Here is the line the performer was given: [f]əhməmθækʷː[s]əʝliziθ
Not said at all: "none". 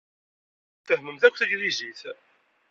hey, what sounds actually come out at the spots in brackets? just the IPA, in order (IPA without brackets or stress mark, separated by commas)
θ, θ